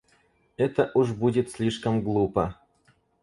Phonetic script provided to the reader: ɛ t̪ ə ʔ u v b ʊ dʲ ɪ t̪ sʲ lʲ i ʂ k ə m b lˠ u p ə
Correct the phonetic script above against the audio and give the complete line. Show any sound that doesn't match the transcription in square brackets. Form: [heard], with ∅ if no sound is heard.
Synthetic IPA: ɛ t̪ ə ʔ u [ʐ] b [u] dʲ ɪ t̪ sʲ lʲ i ʂ k ə m [ɡ] lˠ u p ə